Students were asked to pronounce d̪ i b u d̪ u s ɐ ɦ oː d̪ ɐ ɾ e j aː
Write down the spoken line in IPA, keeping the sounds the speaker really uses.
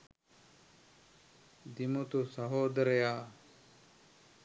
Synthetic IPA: d̪ i m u t̪ u s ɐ ɦ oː d̪ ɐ ɾ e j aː